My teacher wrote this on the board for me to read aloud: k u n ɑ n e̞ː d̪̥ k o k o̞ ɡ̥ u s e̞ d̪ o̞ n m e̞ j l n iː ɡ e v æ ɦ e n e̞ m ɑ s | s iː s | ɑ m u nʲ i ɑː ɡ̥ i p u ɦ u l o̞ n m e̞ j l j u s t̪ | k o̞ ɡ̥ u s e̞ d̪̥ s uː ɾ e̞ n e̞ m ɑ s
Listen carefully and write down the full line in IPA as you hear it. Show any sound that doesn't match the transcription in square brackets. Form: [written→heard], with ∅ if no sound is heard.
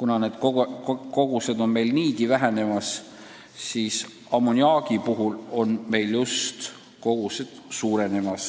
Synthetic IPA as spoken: k u n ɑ n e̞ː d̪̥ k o k o̞ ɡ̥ u s e̞ d̪ o̞ n m e̞ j l n iː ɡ [e→i] v æ ɦ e n e̞ m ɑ s | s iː s | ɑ m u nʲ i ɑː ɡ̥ i p u ɦ u l o̞ n m e̞ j l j u s t̪ | k o̞ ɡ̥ u s e̞ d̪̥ s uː ɾ e̞ n e̞ m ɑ s